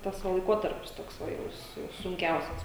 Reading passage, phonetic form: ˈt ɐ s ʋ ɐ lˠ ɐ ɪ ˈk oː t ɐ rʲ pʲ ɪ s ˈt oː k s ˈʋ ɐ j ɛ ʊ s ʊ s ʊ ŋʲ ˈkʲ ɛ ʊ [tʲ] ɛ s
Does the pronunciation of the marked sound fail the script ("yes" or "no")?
yes